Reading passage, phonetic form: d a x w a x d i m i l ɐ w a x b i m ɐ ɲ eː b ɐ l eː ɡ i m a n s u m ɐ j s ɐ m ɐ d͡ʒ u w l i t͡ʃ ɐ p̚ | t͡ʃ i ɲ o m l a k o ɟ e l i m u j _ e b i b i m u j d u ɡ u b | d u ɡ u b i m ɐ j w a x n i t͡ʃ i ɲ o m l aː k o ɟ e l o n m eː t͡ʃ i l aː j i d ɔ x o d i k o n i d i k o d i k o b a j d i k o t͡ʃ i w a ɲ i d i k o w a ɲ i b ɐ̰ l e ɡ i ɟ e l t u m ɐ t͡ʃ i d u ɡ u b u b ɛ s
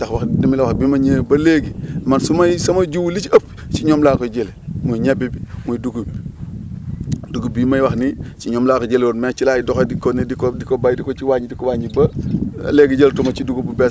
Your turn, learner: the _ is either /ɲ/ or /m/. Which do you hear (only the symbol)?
ɲ